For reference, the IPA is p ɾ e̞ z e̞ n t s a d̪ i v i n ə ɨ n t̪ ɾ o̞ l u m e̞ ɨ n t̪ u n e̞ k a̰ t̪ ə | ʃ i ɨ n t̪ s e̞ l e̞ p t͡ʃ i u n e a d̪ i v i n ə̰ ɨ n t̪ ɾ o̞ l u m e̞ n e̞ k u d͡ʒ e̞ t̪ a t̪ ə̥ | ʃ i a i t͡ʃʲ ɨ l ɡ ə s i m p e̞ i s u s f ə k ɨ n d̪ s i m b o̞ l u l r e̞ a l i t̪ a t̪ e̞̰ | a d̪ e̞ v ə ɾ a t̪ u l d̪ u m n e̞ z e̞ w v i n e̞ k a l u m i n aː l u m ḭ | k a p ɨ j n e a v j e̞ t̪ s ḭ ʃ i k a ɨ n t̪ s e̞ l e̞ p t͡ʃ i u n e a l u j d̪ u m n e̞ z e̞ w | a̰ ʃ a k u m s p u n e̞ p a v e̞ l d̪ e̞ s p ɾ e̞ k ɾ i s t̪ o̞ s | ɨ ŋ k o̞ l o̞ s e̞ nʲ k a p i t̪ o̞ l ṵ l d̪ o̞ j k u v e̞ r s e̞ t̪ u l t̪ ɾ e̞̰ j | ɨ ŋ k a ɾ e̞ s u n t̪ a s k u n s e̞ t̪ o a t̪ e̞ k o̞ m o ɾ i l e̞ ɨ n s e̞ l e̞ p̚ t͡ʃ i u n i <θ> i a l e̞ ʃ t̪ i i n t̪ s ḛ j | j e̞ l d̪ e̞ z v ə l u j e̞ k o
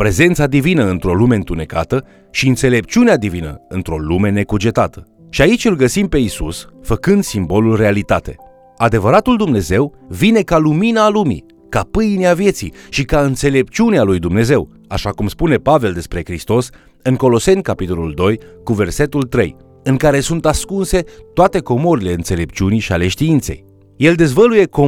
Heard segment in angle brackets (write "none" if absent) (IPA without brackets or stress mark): ʃ